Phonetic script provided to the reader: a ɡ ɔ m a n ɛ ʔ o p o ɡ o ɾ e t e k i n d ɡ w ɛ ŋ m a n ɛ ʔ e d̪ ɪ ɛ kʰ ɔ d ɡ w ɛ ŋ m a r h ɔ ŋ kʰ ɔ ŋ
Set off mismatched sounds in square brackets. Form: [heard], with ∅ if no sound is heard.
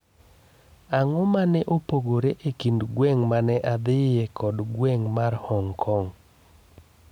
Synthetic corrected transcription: a [ŋ] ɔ m a n ɛ ʔ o p o ɡ o ɾ e [ʔ] e k i n d ɡ w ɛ ŋ m a n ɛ ʔ [a] d̪ ɪ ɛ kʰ ɔ d ɡ w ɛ ŋ m a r h ɔ ŋ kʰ ɔ ŋ